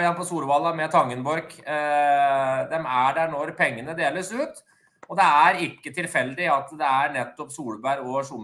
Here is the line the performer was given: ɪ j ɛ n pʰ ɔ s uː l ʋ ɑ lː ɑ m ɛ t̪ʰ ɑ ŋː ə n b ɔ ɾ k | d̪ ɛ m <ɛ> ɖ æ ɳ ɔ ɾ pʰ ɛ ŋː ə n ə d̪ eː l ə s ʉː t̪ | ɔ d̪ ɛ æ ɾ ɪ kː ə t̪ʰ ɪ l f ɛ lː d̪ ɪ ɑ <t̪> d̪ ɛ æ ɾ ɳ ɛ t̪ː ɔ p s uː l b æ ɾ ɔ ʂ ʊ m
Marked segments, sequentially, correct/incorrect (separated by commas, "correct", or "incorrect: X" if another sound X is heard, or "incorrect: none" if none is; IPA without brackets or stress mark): incorrect: æ, correct